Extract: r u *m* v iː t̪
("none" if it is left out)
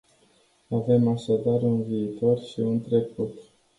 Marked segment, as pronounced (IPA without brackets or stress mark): n